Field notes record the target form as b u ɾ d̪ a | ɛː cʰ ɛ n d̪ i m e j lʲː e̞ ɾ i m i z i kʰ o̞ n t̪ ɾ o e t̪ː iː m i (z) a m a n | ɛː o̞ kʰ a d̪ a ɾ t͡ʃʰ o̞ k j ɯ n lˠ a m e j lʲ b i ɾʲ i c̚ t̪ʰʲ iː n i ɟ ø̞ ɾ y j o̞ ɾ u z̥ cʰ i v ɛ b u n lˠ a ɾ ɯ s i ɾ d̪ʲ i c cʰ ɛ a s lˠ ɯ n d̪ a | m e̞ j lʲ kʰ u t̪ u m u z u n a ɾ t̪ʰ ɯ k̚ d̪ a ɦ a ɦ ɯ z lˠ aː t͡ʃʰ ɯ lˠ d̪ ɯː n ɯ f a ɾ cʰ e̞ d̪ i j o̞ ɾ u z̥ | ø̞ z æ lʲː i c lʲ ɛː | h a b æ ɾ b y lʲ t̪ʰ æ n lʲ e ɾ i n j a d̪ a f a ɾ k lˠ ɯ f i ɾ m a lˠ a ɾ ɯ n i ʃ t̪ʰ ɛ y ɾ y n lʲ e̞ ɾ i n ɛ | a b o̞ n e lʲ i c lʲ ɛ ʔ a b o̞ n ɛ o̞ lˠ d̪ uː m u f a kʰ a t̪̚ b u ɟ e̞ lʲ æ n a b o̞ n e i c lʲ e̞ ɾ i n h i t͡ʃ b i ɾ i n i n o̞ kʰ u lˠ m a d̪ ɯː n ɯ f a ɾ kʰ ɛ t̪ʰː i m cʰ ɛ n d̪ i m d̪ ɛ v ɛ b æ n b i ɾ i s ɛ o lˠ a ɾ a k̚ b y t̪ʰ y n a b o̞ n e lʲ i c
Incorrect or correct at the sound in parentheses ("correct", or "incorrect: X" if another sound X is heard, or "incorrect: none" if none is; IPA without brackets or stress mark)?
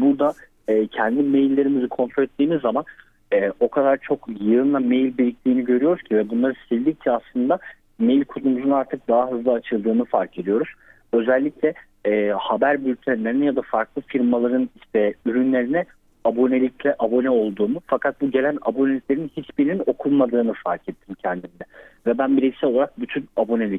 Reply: incorrect: zː